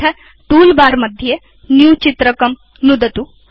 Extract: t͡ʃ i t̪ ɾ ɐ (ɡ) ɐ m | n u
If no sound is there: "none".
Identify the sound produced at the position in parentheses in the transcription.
k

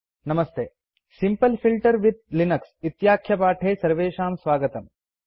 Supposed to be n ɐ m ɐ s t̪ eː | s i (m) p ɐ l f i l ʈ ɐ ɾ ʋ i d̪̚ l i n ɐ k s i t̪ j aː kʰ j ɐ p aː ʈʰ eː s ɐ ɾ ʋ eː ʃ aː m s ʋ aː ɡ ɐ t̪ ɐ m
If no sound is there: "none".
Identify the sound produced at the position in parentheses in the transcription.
m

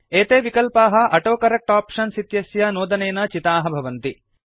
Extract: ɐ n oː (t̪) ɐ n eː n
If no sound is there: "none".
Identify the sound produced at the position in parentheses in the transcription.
d̪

